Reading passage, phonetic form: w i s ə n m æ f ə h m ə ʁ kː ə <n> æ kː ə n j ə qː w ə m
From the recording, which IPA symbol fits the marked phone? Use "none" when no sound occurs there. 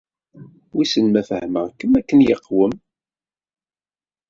m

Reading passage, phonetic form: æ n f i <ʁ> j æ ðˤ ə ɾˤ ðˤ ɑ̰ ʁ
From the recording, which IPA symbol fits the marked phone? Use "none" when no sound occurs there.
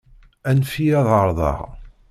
none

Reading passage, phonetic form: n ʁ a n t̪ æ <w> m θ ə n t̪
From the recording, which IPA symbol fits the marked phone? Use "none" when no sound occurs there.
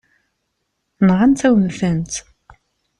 w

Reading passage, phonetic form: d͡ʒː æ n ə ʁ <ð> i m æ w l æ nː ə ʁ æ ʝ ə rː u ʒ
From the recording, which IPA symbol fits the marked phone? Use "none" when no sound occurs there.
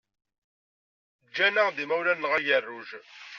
ð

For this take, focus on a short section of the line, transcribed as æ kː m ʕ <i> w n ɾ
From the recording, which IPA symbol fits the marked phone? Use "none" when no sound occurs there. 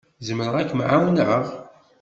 a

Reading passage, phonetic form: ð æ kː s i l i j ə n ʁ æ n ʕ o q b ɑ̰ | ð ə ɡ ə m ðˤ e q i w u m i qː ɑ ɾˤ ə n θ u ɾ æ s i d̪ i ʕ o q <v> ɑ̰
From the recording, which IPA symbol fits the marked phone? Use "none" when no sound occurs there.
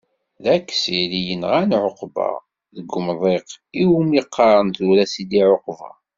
v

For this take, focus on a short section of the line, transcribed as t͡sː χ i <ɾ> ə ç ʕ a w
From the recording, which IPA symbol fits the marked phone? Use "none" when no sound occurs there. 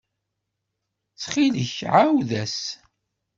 l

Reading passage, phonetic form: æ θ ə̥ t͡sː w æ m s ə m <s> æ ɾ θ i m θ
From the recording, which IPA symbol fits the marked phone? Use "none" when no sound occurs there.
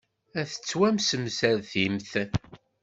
s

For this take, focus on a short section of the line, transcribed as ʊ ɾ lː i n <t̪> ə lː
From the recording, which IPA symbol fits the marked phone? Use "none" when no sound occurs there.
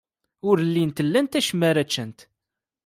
t̪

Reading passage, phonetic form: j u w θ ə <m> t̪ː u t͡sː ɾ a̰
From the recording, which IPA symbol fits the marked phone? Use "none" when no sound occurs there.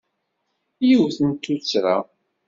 n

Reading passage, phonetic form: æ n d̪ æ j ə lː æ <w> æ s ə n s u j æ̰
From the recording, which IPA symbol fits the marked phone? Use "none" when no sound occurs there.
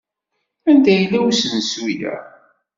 w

